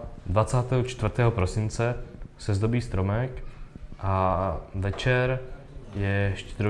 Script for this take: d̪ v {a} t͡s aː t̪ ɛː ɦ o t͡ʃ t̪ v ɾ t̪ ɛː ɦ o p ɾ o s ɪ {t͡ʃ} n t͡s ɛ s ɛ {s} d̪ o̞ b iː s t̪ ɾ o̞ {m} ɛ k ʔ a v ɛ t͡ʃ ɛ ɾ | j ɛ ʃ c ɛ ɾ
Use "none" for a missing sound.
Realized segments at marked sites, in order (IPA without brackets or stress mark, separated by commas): a, none, z, m